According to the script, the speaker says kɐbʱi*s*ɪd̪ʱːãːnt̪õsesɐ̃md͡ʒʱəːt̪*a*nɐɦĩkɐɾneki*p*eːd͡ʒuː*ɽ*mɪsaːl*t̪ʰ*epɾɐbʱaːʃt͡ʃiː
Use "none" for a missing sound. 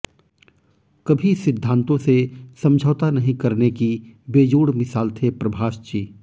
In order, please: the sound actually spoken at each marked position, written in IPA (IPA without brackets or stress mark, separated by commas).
s, a, b, ɽ, t̪ʰ